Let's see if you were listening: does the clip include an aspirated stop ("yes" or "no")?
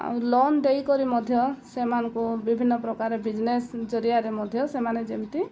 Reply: no